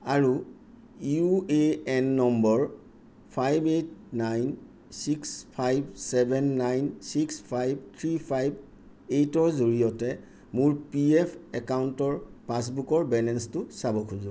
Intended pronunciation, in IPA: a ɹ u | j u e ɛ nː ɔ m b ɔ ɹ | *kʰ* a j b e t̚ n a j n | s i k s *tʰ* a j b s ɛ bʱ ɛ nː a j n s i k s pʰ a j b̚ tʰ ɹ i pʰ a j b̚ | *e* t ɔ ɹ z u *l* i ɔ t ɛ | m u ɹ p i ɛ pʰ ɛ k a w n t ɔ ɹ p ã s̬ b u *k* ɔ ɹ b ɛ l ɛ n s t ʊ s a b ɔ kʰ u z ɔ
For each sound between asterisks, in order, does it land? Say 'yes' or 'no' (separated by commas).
no, no, yes, no, yes